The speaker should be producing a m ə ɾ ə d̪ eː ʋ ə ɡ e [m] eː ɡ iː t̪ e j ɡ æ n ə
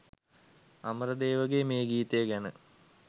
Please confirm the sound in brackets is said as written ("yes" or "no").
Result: yes